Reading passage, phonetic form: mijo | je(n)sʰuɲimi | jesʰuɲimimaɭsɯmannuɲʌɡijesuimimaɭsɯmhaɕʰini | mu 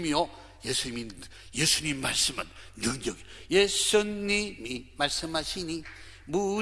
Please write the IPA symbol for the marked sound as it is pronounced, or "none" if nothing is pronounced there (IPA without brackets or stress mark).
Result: none